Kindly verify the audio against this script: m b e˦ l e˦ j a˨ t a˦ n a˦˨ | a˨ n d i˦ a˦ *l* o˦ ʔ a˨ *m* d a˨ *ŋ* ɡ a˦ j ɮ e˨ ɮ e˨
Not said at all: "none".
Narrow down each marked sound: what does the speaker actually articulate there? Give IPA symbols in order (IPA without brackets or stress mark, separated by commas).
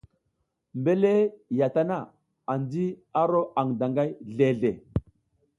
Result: ɾ, ŋ, ŋ